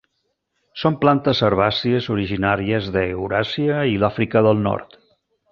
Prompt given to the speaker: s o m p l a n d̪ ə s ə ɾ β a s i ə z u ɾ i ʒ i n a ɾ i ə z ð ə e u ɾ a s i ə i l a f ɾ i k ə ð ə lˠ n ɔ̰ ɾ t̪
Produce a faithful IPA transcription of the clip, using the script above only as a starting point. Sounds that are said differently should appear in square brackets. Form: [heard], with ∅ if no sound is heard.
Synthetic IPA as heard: s o m p l a n [t̪] ə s ə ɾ β a s i ə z u ɾ i ʒ i n a ɾ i ə z ð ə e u ɾ a s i ə i l a f ɾ i k ə ð ə lˠ n ɔ̰ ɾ t̪